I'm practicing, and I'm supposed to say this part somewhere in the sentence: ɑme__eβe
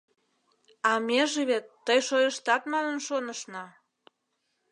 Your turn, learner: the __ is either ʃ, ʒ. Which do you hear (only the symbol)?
ʒ